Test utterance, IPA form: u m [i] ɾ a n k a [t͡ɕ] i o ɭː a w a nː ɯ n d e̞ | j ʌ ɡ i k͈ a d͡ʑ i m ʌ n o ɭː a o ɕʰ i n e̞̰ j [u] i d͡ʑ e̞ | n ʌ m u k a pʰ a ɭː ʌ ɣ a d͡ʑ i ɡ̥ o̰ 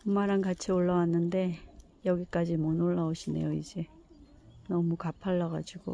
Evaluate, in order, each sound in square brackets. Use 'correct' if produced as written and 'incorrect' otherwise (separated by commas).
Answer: incorrect, incorrect, incorrect